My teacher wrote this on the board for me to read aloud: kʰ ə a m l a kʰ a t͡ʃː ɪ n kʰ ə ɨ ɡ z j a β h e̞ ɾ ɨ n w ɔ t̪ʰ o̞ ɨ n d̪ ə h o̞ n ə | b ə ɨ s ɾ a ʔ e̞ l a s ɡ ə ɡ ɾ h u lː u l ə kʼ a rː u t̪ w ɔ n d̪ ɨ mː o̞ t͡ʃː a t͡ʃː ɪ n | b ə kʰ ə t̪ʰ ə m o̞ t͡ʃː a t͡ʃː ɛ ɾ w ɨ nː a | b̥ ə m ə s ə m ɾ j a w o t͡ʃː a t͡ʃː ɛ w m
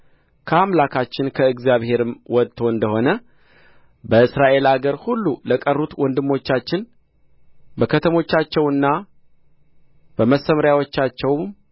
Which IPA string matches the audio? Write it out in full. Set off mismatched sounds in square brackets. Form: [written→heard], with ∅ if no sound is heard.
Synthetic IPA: kʰ ə a m l a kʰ a t͡ʃː ɪ n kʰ ə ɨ ɡ z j a β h e̞ ɾ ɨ [n→m] w ɔ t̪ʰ o̞ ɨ n d̪ ə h o̞ n ə | b ə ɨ s ɾ a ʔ e̞ l a [s→∅] ɡ ə [ɡ→∅] ɾ h u lː u l ə kʼ [a→ə] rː u t̪ w ɔ n d̪ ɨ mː o̞ t͡ʃː a t͡ʃː ɪ n | b ə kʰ ə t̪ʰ ə m o̞ t͡ʃː a t͡ʃː ɛ [ɾ→∅] w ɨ nː a | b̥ ə m ə s ə m ɾ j a w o t͡ʃː a t͡ʃː ɛ w m